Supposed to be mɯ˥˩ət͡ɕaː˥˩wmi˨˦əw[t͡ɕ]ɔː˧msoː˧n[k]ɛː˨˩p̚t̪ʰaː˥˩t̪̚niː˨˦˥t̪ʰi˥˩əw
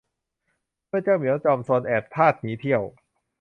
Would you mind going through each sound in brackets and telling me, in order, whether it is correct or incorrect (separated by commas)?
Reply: correct, incorrect